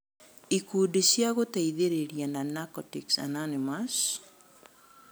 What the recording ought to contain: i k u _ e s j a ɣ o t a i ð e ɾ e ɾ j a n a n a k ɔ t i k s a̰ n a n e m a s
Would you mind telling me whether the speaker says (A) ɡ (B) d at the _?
B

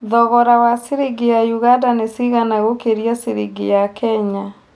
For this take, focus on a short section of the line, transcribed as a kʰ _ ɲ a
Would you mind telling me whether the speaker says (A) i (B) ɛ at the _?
B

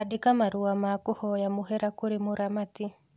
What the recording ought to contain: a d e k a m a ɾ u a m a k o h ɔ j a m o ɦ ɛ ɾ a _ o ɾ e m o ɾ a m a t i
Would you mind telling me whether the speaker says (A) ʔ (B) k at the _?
B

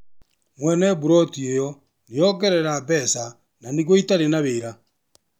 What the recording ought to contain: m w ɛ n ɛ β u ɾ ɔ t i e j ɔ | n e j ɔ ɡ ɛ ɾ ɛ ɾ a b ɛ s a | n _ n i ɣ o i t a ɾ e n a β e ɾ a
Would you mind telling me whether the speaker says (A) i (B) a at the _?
B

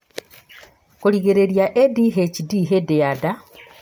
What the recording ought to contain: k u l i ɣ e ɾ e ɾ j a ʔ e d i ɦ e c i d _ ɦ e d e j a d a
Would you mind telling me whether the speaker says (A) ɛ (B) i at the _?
B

